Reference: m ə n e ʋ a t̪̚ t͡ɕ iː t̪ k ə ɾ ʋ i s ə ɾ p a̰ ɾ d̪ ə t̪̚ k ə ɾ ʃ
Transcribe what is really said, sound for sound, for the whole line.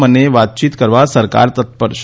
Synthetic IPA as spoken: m ə n e ʋ a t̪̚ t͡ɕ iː t̪ k ə ɾ ʋ a s ə ɾ k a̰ ɾ t̪ ə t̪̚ p ə ɾ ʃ